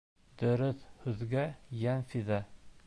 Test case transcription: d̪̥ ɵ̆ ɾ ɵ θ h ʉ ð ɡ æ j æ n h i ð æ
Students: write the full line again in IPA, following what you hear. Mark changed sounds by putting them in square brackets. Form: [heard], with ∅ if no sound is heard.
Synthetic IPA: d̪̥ ɵ̆ ɾ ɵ θ h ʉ ð ɡ æ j æ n [f] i ð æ